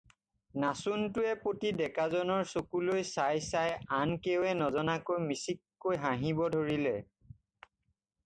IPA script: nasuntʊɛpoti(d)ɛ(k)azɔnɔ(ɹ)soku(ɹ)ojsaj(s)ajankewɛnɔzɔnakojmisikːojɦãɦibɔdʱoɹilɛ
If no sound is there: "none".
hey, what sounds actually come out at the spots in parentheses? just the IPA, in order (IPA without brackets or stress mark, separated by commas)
d, k, ɹ, l, s